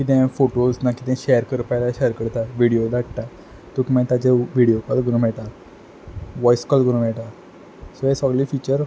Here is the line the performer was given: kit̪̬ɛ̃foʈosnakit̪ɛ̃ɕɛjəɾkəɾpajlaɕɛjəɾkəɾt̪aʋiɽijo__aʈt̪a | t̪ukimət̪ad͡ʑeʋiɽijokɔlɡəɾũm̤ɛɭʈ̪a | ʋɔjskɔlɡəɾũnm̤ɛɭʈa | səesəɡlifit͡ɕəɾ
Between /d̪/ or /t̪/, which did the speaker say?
d̪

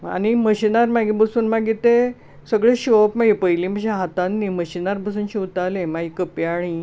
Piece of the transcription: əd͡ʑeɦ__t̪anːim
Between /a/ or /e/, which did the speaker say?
a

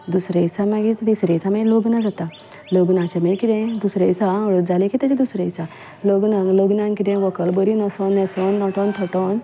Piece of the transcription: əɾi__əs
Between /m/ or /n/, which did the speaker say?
n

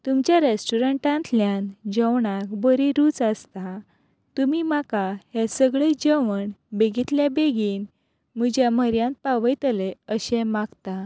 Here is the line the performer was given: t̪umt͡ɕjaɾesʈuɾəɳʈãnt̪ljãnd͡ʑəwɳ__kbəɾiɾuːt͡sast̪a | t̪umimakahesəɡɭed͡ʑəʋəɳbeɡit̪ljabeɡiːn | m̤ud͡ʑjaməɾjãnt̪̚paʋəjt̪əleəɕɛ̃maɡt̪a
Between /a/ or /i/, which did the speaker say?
a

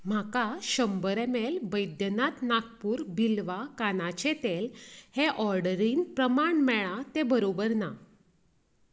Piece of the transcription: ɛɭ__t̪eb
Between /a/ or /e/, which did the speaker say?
a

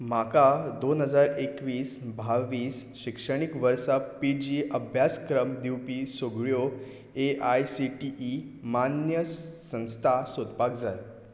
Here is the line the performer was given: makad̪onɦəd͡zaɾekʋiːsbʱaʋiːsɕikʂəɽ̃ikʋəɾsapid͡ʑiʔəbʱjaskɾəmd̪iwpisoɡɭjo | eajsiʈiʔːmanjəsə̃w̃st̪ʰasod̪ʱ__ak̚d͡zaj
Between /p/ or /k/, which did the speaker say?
p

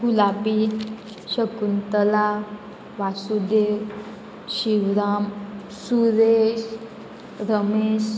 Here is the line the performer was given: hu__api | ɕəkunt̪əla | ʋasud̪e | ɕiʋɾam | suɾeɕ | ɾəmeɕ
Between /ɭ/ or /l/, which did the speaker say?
l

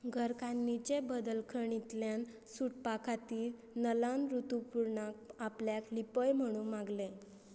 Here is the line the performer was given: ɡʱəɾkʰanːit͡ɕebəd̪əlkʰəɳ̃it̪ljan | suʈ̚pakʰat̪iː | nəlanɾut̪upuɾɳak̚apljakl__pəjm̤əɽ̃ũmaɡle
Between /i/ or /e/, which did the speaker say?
i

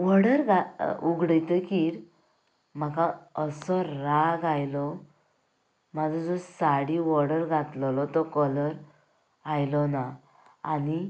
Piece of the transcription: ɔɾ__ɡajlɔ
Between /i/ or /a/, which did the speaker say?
a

